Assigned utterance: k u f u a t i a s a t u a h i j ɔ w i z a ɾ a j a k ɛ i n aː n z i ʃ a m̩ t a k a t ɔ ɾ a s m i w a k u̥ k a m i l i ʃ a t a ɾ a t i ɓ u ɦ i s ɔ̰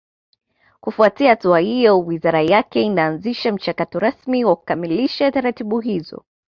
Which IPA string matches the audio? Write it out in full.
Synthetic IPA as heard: k u f u a t i a h a t u a h i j ɔ w i z a ɾ a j a k ɛ i n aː n z i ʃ a m̩ t͡ʃ a k a t ɔ ɾ a s m i w a k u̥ k a m i l i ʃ a t a ɾ a t i ɓ u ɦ i z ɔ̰